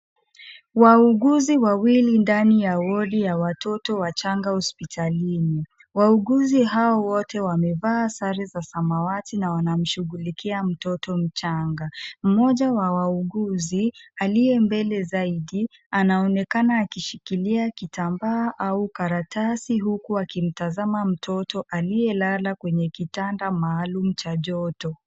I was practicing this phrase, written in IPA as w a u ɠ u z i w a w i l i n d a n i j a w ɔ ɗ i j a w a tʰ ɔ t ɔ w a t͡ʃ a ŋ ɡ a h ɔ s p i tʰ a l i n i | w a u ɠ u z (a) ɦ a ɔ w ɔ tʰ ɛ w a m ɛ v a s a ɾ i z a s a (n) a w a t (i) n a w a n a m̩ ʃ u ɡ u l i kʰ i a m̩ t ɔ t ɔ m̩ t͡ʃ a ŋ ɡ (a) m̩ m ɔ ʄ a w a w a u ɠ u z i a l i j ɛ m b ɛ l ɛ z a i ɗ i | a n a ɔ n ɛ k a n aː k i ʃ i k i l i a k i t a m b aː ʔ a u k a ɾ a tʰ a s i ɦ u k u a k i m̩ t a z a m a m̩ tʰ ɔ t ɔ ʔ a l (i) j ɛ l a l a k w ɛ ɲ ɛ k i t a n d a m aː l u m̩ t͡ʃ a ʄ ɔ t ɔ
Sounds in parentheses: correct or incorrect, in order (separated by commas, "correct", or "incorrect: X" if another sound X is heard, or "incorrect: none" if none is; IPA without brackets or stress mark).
incorrect: i, incorrect: m, correct, correct, correct